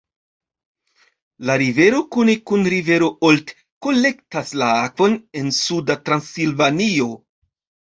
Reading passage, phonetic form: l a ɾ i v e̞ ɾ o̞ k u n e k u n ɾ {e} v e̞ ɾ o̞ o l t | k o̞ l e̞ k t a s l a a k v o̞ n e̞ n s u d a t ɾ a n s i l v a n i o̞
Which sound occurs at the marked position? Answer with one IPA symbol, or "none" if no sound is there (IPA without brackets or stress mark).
i